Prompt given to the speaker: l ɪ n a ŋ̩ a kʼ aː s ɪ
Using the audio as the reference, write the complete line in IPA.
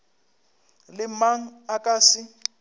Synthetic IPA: l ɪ m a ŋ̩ a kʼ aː s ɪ